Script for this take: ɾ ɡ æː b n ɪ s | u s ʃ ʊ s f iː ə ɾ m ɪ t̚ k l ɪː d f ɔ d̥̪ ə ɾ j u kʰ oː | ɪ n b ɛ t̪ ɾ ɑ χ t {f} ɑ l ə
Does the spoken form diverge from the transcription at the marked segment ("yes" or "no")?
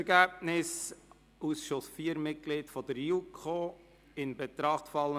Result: no